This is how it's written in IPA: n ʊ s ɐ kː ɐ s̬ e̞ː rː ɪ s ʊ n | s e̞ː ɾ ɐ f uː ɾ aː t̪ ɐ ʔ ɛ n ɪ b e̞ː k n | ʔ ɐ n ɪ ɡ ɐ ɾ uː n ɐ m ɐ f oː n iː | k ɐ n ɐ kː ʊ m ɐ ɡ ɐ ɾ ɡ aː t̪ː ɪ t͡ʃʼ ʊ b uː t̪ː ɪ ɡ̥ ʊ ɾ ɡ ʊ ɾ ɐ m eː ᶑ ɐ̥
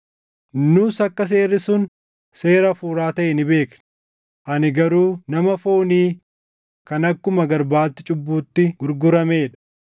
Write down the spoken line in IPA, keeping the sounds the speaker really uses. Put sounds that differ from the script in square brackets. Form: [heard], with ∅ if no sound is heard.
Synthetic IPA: n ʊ s ɐ kː ɐ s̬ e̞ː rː ɪ s ʊ n | s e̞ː ɾ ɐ f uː ɾ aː t̪ ɐ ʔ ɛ n ɪ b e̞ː k n | ʔ ɐ n ɪ ɡ ɐ ɾ uː n ɐ m ɐ f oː n iː | k ɐ n ɐ kː ʊ m ɐ ɡ ɐ ɾ [b] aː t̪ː ɪ t͡ʃʼ ʊ [bː] uː t̪ː ɪ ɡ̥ ʊ ɾ ɡ ʊ ɾ ɐ m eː ᶑ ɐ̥

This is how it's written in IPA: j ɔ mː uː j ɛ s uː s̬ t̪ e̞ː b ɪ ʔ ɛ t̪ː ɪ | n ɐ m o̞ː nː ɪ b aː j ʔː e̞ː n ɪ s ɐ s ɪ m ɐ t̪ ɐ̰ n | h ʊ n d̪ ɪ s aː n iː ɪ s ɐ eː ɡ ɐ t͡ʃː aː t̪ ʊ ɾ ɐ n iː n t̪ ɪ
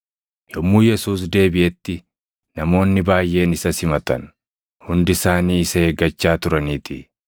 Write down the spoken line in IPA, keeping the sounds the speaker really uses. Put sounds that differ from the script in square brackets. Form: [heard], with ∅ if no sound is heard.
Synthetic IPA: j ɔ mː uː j ɛ s uː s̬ [d̪] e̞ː b ɪ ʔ ɛ t̪ː ɪ | n ɐ m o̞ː nː ɪ b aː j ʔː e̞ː n ɪ s ɐ s ɪ m ɐ t̪ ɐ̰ n | h ʊ n d̪ ɪ s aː n iː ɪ s ɐ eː ɡ ɐ t͡ʃː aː t̪ ʊ ɾ ɐ n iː [∅] t̪ ɪ

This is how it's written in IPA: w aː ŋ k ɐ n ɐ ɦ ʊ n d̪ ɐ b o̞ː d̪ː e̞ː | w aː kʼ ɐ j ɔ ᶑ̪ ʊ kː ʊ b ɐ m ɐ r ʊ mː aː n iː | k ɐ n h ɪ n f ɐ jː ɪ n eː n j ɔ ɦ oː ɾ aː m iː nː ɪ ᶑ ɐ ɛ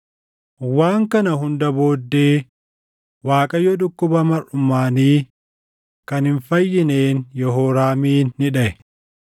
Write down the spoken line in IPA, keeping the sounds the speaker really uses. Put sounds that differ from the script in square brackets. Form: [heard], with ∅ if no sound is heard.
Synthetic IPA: w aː ŋ k ɐ n ɐ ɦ ʊ n d̪ ɐ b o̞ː d̪ː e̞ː | w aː kʼ ɐ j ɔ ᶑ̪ ʊ kː ʊ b ɐ m ɐ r ʊ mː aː n iː | k ɐ n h ɪ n f ɐ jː ɪ n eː n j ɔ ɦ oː ɾ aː m iː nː ɪ ᶑ ɐ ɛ

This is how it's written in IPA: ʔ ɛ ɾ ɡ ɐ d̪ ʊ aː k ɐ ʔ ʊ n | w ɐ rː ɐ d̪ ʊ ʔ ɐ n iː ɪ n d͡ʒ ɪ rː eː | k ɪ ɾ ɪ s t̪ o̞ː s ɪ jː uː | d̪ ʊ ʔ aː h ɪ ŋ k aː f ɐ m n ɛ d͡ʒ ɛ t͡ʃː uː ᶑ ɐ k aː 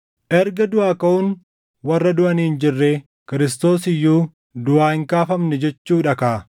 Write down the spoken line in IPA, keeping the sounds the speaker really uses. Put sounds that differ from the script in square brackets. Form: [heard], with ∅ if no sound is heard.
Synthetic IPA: ʔ ɛ ɾ ɡ ɐ d̪ ʊ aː k ɐ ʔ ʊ n | w ɐ rː ɐ d̪ ʊ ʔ ɐ n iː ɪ n d͡ʒ ɪ rː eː | k ɪ ɾ ɪ s t̪ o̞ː s ɪ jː uː | d̪ ʊ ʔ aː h ɪ ŋ k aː f ɐ m n ɛ d͡ʒ ɛ t͡ʃː uː ᶑ ɐ k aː

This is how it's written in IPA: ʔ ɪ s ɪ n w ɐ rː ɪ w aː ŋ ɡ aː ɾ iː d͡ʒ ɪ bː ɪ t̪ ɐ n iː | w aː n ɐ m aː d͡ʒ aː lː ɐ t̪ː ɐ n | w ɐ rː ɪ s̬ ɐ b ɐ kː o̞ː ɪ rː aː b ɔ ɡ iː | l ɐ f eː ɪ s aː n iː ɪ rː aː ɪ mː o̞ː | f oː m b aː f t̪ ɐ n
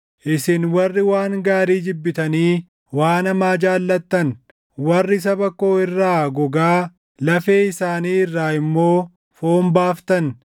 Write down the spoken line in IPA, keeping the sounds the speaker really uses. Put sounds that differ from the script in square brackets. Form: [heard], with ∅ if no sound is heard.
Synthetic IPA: ʔ ɪ s ɪ n w ɐ rː ɪ w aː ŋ ɡ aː ɾ iː d͡ʒ ɪ bː ɪ t̪ ɐ n iː | w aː n ɐ m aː d͡ʒ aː lː ɐ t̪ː ɐ n | w ɐ rː ɪ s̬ ɐ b ɐ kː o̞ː ɪ rː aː [ɡ] ɔ ɡ [aː] | l ɐ f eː ɪ s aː n iː ɪ rː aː ɪ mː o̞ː | f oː m b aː f t̪ ɐ n

